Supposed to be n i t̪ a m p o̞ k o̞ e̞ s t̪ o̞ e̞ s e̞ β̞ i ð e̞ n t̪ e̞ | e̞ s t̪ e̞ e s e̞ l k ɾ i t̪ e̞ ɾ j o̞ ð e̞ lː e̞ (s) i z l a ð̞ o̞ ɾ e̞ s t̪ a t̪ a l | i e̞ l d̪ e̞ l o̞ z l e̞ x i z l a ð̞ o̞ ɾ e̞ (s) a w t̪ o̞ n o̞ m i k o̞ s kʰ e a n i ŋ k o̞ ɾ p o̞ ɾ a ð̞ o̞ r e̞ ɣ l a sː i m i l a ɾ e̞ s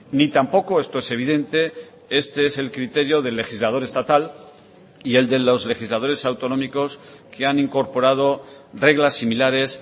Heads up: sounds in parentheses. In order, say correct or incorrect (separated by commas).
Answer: incorrect, correct